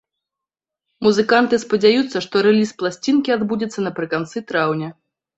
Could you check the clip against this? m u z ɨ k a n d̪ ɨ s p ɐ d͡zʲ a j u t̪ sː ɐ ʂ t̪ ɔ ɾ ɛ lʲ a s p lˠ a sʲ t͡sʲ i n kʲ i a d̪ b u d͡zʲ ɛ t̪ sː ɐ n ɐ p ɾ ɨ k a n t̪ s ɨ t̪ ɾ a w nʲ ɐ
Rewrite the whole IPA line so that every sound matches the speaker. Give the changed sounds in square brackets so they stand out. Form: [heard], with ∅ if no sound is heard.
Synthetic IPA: m u z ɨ k a n [t̪] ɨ s p ɐ d͡zʲ a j u t̪ sː ɐ ʂ t̪ ɔ ɾ ɛ lʲ [i] s p lˠ a sʲ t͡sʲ i n kʲ i a d̪ b u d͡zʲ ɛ t̪ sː ɐ n ɐ p ɾ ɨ k a n t̪ s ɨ t̪ ɾ a w nʲ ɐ